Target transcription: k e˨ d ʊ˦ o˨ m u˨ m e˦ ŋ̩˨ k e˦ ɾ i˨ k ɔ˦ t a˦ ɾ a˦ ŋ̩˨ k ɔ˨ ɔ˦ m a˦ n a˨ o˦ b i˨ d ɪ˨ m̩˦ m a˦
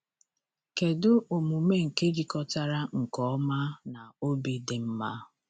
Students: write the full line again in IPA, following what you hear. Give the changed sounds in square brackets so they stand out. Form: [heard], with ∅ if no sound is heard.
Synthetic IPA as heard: k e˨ d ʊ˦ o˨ m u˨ m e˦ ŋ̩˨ k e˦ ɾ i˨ k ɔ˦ t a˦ ɾ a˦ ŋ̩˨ k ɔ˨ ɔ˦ m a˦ n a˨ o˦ b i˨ d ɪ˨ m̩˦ m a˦